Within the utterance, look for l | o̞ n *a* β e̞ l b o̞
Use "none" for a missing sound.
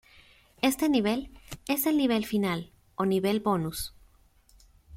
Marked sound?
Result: i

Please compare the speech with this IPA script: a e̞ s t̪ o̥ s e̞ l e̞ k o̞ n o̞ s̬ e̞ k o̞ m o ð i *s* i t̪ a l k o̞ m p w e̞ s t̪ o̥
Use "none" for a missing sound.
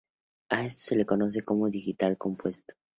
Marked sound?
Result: x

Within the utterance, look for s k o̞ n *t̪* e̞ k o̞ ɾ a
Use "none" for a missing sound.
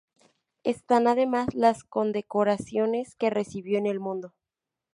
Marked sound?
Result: d̪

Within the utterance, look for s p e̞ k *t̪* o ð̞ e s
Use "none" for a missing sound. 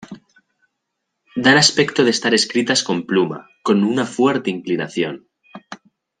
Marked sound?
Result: t̪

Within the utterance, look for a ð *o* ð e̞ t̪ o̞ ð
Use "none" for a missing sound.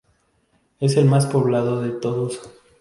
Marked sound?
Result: o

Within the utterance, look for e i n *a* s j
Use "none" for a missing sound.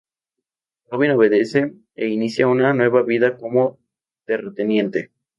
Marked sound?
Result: i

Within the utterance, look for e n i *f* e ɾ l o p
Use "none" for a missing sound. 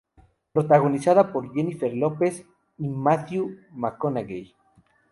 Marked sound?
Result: f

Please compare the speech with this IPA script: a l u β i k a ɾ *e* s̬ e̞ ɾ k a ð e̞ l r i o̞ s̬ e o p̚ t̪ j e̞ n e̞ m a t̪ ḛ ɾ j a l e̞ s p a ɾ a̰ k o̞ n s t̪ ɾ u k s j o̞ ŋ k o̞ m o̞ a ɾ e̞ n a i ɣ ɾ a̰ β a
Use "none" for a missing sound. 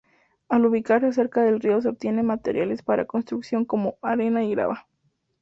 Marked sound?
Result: a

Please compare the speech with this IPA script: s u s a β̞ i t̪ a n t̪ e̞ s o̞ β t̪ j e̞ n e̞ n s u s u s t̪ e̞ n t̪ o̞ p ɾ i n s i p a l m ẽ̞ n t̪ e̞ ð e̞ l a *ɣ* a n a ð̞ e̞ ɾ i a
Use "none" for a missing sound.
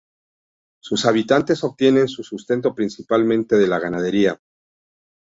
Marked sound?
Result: ɣ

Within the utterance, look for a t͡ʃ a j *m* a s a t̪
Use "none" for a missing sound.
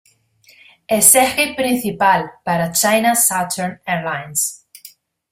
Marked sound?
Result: n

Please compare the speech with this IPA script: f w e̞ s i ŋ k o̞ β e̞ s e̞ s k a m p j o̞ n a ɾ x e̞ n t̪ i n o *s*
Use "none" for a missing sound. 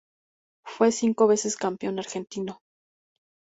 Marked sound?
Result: none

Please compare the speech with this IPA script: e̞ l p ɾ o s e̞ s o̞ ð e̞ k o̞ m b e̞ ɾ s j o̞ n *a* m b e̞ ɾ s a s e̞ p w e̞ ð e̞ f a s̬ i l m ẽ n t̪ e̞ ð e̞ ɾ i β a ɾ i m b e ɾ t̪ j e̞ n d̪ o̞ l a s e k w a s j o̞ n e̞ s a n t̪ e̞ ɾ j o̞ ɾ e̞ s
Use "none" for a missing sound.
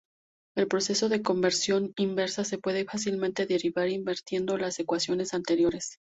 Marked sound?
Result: i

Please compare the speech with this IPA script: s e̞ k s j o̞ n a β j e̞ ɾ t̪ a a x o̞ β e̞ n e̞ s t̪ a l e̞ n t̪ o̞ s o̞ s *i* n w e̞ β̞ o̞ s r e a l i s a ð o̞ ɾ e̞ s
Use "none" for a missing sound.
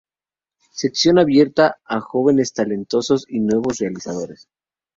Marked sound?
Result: i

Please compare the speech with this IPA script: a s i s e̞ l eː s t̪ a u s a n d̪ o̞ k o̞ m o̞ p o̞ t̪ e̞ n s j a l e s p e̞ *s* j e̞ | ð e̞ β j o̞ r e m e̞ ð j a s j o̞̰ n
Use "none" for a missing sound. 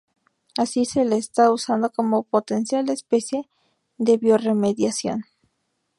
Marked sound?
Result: s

